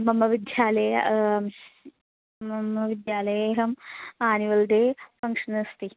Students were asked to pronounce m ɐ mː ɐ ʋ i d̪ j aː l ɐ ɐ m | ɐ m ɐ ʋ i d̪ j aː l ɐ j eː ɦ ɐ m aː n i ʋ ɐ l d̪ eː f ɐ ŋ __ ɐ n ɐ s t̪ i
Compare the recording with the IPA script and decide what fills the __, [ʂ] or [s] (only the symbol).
ʂ